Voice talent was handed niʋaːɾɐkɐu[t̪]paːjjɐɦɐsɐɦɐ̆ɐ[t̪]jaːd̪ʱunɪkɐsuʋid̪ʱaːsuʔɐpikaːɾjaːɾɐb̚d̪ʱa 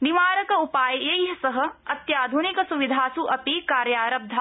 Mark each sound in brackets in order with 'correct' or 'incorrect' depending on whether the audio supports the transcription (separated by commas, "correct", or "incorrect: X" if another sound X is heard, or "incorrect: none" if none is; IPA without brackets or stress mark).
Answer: incorrect: none, correct